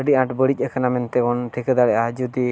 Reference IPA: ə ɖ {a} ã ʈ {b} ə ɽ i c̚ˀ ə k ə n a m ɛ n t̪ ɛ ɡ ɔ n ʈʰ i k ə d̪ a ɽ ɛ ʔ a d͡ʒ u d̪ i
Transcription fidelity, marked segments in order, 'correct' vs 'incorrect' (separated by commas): incorrect, correct